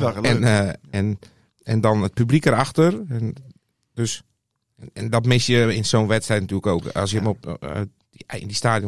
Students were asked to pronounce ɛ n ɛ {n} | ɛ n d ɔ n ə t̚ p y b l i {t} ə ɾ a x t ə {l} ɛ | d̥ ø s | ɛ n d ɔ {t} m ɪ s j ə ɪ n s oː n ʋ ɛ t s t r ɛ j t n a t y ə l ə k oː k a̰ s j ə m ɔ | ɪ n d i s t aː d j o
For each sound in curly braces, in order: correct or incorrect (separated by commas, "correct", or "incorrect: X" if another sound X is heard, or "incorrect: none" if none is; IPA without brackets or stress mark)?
correct, incorrect: k, incorrect: r, correct